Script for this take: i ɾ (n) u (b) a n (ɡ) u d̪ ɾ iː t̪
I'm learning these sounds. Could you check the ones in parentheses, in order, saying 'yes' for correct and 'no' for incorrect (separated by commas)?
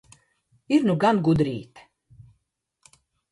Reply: yes, no, yes